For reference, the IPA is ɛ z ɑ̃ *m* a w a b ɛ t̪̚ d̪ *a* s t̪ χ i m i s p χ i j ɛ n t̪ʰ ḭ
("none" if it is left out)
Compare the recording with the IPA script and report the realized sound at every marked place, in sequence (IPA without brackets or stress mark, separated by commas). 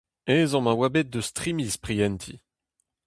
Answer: m, ə